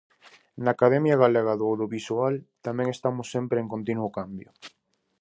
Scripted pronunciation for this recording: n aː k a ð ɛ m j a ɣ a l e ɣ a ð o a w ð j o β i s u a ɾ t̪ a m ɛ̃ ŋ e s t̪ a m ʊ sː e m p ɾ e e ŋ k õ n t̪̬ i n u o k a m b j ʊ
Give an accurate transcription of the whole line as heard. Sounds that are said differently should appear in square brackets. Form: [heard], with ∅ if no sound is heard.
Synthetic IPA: n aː k a ð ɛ m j a ɣ a l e ɣ a ð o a w ð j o β i s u a [l] t̪ a m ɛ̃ ŋ e s t̪ a m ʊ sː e m p ɾ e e ŋ k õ n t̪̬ i n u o k a m b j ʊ